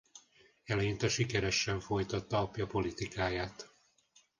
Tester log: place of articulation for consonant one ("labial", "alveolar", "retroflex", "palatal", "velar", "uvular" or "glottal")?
alveolar